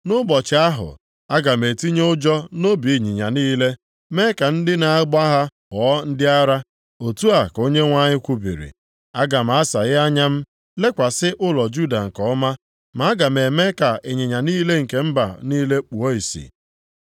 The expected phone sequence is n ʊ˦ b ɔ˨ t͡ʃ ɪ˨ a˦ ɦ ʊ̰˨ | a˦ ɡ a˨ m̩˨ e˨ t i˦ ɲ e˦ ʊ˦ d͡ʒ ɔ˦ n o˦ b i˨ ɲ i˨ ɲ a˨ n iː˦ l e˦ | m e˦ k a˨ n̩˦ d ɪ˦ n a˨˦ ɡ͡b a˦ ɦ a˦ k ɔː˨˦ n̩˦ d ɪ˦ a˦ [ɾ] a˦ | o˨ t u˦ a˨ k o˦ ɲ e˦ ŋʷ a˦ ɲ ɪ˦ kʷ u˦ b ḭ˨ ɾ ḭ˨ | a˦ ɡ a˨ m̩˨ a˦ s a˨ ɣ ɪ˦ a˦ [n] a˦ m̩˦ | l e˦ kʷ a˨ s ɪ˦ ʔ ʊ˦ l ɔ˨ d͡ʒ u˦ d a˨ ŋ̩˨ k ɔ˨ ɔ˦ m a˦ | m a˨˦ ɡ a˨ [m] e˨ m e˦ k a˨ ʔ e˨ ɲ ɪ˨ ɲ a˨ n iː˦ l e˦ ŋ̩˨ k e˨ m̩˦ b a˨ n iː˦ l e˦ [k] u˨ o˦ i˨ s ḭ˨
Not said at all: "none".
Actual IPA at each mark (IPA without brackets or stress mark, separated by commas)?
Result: ɾ, ɲ, m, k͡p